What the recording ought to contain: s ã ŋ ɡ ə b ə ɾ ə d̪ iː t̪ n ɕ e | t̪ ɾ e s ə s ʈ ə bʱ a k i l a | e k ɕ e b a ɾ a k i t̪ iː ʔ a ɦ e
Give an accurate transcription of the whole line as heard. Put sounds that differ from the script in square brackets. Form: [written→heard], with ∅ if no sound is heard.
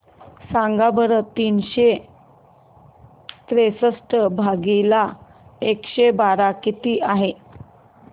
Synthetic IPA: s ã ŋ ɡ [ə→a] b ə ɾ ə [d̪→t̪] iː [t̪→∅] n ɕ e | t̪ ɾ e s ə s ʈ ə bʱ a [k→ɡ] i l a | e k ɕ e b a ɾ a k i t̪ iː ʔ a ɦ e